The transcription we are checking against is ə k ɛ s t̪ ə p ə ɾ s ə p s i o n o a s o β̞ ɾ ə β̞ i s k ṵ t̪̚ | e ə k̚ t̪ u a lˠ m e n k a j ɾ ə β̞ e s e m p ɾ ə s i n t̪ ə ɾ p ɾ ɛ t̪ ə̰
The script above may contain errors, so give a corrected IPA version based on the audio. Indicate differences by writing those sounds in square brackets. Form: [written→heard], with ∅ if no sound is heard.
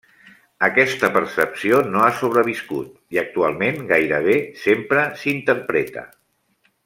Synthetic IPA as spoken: ə k ɛ s t̪ ə p ə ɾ s ə p s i o n o a s o β̞ ɾ ə β̞ i s k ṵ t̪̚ | [e→i] ə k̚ t̪ u a lˠ m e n [k→ɡ] a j ɾ ə β̞ e s e m p ɾ ə s i n t̪ ə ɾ p ɾ ɛ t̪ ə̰

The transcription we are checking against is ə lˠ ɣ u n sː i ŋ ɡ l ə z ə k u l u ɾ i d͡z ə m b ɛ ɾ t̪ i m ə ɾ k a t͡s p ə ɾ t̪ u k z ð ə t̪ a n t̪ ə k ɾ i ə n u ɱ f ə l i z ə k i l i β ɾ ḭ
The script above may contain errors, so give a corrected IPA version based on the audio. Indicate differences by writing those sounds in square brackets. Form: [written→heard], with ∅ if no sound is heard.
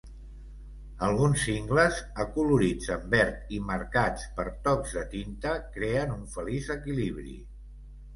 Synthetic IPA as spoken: ə lˠ ɣ u n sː i ŋ ɡ l ə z ə k u l u ɾ i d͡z ə m b ɛ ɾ t̪ i m ə ɾ k a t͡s p ə ɾ t̪ [u→ɔ] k z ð ə t̪ [a→i] n t̪ ə k ɾ [i→e] ə n u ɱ f ə l i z ə k i l i β ɾ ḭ

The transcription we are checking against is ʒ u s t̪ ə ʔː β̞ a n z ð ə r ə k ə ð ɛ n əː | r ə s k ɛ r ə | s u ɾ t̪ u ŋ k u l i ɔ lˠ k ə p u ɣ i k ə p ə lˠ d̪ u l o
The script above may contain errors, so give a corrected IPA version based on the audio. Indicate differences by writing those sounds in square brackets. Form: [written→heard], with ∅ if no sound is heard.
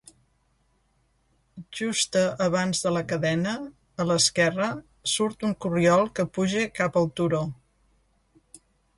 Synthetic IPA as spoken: ʒ u s t̪ ə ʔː β̞ a n z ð ə [r→l] ə k ə ð ɛ n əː | [r→l] ə s k ɛ r ə | s u ɾ t̪ u ŋ k u [l→r] i ɔ lˠ k ə p u [ɣ→ʒ] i k [ə→a] p ə lˠ [d̪→t̪] u [l→ɾ] o

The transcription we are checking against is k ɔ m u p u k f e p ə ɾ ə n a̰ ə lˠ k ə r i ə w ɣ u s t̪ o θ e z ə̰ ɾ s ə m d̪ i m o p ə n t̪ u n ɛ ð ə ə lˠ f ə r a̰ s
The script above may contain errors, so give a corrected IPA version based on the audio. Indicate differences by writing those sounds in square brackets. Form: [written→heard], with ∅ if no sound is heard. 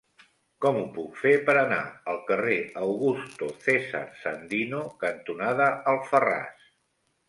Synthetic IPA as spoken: k ɔ m u p u k f e p ə ɾ ə n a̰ ə lˠ k ə r [i→e] ə w ɣ u s t̪ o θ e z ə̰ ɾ s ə [m→n] d̪ i [m→n] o [p→k] ə n t̪ u n [ɛ→a] ð ə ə lˠ f ə r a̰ s

